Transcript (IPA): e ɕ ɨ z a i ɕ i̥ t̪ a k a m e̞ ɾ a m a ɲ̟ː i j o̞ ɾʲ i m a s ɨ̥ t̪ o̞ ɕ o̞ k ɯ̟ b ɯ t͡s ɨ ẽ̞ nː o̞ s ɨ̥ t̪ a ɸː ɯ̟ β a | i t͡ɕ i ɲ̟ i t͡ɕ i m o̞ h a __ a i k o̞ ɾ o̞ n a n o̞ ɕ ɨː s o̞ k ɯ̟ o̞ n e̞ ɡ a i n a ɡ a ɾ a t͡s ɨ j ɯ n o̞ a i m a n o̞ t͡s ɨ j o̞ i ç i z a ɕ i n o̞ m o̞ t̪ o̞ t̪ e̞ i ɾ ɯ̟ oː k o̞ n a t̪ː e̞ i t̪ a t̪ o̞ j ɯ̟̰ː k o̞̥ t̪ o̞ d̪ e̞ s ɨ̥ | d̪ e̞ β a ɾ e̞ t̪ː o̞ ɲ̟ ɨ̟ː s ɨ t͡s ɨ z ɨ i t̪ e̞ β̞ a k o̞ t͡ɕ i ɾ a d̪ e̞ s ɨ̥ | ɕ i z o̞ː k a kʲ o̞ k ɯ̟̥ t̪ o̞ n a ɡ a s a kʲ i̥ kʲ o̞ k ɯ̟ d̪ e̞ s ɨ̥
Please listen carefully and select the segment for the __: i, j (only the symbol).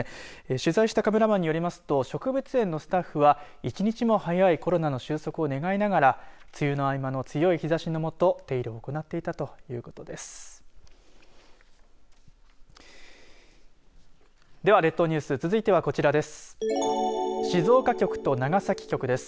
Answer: j